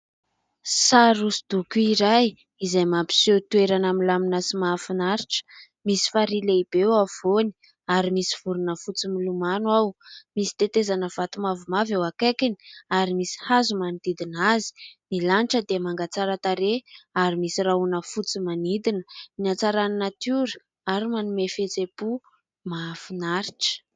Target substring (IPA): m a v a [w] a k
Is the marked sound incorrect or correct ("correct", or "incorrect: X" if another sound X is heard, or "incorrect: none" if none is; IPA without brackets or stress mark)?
correct